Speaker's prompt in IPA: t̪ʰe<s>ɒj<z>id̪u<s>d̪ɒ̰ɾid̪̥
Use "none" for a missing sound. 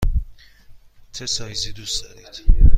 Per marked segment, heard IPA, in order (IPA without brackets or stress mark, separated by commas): s, z, s